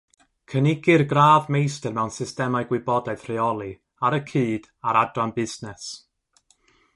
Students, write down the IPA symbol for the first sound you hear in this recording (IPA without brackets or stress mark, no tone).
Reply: kʰ